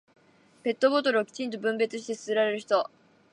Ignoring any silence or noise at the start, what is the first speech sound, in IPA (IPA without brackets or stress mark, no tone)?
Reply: p